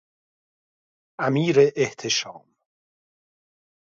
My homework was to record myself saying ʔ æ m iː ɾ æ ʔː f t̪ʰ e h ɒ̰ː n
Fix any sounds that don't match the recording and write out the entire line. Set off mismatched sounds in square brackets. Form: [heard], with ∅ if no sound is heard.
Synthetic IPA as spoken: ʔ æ m iː ɾ [e] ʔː [h] t̪ʰ e [ʃ] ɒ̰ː [m]